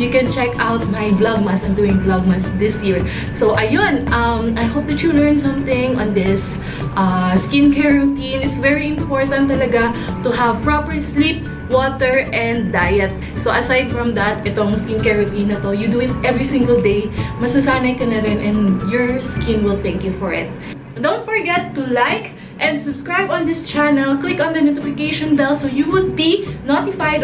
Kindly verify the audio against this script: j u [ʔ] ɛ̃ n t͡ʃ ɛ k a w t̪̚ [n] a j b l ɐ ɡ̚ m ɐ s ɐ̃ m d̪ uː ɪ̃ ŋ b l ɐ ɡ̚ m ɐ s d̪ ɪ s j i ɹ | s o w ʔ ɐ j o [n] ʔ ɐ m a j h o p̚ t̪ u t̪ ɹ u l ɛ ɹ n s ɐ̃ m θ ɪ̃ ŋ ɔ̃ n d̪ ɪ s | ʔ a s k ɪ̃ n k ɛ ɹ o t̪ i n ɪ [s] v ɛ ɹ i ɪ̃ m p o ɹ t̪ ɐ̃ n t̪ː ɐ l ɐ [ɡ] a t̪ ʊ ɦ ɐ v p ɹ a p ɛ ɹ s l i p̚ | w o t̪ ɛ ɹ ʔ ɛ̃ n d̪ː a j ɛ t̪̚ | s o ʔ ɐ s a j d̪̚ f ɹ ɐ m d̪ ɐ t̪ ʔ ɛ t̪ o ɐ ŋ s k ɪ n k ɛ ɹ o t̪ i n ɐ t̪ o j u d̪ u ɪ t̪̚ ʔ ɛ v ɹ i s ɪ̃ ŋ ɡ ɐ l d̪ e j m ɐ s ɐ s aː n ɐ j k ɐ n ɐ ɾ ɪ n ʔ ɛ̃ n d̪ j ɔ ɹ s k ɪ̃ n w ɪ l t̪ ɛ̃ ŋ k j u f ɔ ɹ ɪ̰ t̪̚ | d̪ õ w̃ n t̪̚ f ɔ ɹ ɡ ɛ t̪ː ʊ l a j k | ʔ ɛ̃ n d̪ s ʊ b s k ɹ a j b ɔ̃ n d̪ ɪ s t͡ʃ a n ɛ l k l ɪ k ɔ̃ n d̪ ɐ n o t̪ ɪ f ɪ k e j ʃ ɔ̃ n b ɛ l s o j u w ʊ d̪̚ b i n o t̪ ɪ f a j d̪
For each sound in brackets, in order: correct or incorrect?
incorrect, incorrect, correct, correct, correct

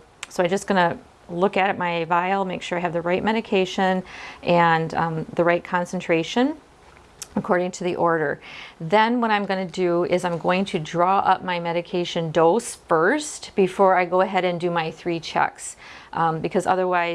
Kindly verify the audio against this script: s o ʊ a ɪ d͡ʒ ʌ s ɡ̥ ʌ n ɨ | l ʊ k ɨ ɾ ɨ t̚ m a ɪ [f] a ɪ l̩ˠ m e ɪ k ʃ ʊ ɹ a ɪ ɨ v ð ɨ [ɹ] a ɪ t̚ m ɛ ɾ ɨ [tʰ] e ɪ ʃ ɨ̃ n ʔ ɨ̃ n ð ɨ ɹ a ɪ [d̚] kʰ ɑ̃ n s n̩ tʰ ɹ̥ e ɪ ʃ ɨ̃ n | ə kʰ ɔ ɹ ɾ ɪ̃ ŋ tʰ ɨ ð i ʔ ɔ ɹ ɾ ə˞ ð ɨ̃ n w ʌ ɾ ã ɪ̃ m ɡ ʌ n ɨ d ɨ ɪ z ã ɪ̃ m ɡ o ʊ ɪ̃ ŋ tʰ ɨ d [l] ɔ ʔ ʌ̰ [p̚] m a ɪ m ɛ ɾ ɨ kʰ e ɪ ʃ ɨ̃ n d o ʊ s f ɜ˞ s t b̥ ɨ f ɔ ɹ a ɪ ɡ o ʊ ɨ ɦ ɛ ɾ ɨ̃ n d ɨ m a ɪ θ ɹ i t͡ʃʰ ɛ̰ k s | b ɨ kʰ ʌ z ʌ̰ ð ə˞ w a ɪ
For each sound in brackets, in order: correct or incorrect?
incorrect, correct, incorrect, incorrect, incorrect, correct

